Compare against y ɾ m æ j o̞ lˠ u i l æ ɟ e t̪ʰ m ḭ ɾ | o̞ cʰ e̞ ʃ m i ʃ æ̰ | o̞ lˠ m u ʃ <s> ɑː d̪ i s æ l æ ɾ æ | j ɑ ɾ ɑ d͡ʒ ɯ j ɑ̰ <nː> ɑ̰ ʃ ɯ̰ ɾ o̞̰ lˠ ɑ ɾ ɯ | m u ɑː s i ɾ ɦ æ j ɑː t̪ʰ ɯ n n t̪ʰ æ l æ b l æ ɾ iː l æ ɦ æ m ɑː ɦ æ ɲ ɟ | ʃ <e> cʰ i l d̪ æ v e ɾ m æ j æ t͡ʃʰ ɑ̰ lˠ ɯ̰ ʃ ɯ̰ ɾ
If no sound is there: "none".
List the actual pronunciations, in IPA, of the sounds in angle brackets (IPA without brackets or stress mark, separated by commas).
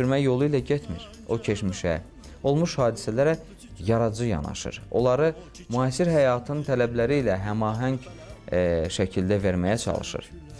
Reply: h, n, æ